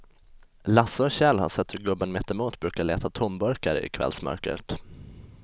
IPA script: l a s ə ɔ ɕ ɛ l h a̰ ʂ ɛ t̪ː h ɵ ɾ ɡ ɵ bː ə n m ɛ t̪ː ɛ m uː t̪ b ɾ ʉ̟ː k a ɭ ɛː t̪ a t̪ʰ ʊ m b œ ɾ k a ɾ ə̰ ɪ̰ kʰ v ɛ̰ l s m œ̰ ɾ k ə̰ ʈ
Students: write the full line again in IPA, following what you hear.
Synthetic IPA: l a s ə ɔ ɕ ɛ l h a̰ ʂ ɛ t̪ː h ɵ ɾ ɡ ɵ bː ə n m ɛ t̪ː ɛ m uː t̪ b ɾ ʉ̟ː k a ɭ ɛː t̪ a t̪ʰ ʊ m b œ ɾ k a ɾ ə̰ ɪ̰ kʰ v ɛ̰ l s m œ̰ ɾ k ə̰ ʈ

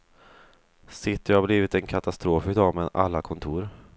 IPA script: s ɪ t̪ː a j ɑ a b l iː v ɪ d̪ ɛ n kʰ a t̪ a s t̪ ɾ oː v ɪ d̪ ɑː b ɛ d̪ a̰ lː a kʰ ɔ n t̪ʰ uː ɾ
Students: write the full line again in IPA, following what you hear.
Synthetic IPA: s ɪ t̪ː ə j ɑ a b l iː v ɪ t̪ ɛ n kʰ a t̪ a s t̪ ɾ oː f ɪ d̪ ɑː m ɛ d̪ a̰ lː a kʰ ɔ n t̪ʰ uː ɾ

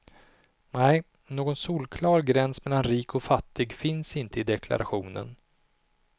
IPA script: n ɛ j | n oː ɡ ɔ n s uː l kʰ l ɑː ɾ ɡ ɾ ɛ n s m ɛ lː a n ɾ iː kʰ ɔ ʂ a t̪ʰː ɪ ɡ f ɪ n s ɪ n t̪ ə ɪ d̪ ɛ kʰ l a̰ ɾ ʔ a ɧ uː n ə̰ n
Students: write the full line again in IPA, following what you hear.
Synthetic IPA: n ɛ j | n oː ɡ ɔ n s uː l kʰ l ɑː ɾ ɡ ɾ ɛ n s m ɛ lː a n ɾ iː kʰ ɔ f a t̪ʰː ɪ ɡ f ɪ n s ɪ n t̪ ə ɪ d̪ ɛ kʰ l a̰ ɾ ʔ a ɧ uː n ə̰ n

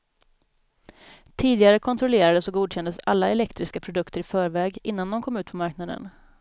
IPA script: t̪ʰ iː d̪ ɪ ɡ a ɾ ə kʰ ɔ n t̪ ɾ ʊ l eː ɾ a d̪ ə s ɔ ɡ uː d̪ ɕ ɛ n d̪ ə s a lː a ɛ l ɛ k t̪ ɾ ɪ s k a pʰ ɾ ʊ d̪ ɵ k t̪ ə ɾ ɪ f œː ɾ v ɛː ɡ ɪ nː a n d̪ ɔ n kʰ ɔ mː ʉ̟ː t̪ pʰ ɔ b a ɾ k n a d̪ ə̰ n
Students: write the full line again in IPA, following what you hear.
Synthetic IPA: t̪ʰ iː d̪ ɪ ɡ a ɾ ə kʰ ɔ n t̪ ɾ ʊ l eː ɾ a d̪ ə s ɔ ɡ uː d̪ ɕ ɛ n d̪ ə s a lː a ɛ l ɛ k t̪ ɾ ɪ s k a pʰ ɾ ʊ d̪ ɵ k t̪ ə ɾ ɪ f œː ɾ v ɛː ɡ ɪ nː a n d̪ ɔ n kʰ ɔ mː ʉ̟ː t̪ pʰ ɔ m a ɾ k n a d̪ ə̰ n

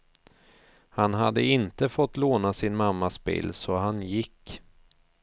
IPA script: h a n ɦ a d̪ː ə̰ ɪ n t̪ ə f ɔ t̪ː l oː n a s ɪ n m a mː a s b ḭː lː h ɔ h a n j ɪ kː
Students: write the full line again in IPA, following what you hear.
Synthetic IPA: h a n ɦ a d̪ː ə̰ ɪ n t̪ ə f ɔ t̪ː l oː n a s ɪ n m a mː a s b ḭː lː s ɔ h a n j ɪ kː

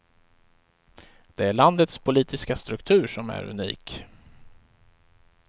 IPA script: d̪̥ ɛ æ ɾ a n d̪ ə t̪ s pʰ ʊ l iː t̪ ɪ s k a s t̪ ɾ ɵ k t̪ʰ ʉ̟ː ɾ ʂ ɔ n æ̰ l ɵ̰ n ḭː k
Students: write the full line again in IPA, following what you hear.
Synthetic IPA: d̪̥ ɛ æ ɭ a n d̪ ə t̪ s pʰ ʊ l iː t̪ ɪ s k a s t̪ ɾ ɵ k t̪ʰ ʉ̟ː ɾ ʂ ɔ m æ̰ ɾ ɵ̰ n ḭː k

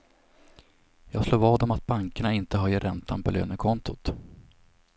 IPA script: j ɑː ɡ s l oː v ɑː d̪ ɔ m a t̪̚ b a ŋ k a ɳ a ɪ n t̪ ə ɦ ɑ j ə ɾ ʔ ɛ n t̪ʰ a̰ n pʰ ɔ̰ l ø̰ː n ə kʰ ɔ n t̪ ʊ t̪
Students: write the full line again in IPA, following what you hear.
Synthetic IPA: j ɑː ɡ s l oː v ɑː d̪ ɔ m a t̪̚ b a ŋ k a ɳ a ɪ n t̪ ə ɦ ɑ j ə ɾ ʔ ɛ n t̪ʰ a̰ n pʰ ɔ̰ l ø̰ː n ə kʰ ɔ n t̪ ʊ t̪

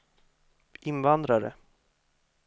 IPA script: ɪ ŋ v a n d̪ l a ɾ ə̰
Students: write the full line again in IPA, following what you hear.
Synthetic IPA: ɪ n v a n d̪ ɾ a ɾ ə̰

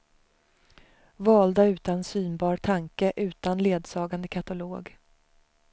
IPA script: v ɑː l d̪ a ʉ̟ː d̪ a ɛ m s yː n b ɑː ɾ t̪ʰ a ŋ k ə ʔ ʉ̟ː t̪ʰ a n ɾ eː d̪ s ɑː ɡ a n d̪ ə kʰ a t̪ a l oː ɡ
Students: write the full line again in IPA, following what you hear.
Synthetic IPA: v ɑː l d̪ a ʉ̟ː t̪ a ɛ n s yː n b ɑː ɾ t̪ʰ a ŋ k ə ʔ ʉ̟ː t̪ a n l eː d̪ s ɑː ɡ a n d̪ ə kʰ a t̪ a l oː ɡ

